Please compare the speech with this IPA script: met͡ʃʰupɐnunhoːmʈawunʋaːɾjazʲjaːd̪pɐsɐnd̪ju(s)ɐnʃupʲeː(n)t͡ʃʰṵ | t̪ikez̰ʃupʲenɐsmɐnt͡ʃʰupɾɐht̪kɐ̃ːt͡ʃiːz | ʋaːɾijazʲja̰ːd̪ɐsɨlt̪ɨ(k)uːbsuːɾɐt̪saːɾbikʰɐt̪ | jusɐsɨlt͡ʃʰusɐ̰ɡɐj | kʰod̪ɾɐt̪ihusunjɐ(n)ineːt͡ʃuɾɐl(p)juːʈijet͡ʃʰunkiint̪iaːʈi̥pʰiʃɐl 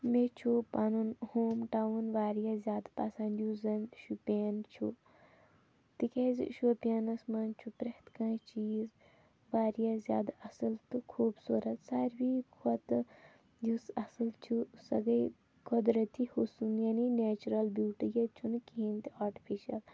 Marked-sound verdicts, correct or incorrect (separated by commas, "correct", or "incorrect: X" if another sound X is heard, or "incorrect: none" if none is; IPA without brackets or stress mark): incorrect: z, correct, incorrect: kʰ, correct, incorrect: b